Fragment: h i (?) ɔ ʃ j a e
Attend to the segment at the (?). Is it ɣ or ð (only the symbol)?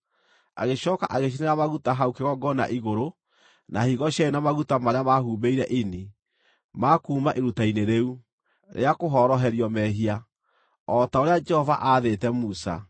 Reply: ɣ